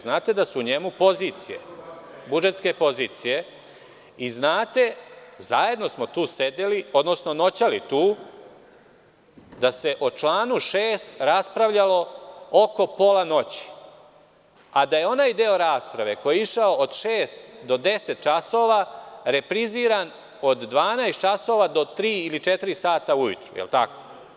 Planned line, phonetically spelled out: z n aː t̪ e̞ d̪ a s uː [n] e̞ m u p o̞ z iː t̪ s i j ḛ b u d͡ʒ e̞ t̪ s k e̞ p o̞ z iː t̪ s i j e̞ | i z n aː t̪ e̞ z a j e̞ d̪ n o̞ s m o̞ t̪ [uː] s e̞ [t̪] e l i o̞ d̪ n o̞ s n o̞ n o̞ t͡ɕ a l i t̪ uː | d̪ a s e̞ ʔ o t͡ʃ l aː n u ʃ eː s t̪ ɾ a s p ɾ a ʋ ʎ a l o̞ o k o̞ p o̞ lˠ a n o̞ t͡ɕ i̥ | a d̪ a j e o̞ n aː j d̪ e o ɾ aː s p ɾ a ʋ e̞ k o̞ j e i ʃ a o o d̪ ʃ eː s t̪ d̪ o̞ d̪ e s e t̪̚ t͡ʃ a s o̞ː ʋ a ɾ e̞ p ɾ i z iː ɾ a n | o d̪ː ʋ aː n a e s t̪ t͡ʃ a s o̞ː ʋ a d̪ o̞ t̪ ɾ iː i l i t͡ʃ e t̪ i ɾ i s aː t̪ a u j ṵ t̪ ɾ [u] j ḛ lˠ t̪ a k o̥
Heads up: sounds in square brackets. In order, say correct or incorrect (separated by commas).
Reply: incorrect, correct, incorrect, correct